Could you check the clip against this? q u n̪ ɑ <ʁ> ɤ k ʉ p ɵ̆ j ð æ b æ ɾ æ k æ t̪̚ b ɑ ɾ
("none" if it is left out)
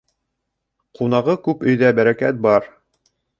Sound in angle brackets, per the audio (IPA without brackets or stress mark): ʁ